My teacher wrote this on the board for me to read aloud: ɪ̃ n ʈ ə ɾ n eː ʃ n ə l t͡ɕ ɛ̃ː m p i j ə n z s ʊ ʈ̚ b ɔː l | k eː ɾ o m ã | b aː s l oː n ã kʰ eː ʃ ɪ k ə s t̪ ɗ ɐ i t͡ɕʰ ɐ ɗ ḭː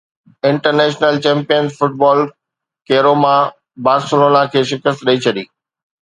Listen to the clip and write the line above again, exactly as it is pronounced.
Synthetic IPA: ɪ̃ ɳ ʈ ə ɾ n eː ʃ n ə l t͡ɕ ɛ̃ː m p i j ə n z f ʊ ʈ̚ b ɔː l | k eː ɾ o m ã | b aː s l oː n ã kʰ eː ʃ ɪ k ə s t̪ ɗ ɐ i t͡ɕʰ ɐ ɗ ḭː